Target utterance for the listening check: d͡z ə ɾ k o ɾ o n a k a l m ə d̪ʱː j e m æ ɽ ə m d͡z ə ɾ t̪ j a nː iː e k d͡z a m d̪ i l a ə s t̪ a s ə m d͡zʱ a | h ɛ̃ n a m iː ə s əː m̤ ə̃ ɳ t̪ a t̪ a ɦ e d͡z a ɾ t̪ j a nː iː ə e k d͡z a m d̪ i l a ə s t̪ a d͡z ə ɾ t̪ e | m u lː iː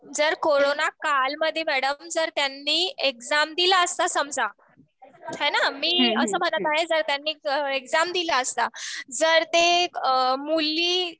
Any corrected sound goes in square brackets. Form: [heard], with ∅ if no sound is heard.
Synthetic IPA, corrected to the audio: d͡z ə ɾ k o ɾ o n a k a l m ə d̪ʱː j e m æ ɽ ə m d͡z ə ɾ t̪ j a nː iː e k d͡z a m d̪ i l a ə s t̪ a s ə m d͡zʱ a | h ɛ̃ n a m iː ə s əː m̤ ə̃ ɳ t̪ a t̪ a ɦ e d͡z [ə] ɾ t̪ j a nː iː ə e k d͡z a m d̪ i l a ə s t̪ a d͡z ə ɾ t̪ e | m u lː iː

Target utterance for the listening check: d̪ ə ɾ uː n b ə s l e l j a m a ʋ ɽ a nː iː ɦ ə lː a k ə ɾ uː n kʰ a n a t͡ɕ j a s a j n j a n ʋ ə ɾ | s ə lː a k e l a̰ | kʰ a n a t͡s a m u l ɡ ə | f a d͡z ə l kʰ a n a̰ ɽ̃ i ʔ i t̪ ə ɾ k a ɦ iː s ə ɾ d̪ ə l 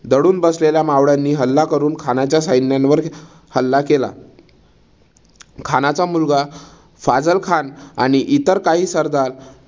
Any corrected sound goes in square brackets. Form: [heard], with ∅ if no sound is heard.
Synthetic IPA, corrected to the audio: d̪ ə [ɽ] uː n b ə s l e l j a m a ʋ ɽ a nː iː ɦ ə lː a k ə ɾ uː n kʰ a n a t͡ɕ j a s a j n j a n ʋ ə ɾ | [h] ə lː a k e l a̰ | kʰ a n a t͡s a m u l ɡ [a] | f a d͡z ə l kʰ a n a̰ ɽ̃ i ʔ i t̪ ə ɾ k a ɦ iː s ə ɾ d̪ [a] l

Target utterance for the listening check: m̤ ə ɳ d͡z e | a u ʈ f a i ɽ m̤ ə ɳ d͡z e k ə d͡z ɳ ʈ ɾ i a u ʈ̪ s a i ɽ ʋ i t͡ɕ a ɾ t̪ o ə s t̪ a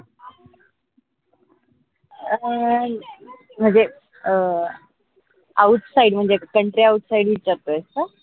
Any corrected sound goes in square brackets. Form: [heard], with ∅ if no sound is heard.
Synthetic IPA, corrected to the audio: m̤ ə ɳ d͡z e | a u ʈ [s] a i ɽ m̤ ə ɳ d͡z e k ə [∅] ɳ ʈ ɾ i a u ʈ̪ s a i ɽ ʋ i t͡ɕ a ɾ t̪ o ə s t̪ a

